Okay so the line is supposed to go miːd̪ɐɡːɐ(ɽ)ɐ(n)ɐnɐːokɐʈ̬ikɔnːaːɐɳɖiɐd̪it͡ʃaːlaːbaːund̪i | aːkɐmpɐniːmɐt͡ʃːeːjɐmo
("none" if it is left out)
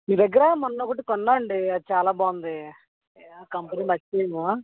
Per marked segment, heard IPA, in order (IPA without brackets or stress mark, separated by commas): ɾ, m